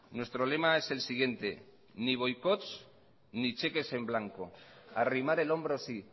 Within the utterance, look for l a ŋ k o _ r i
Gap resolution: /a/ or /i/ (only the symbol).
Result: a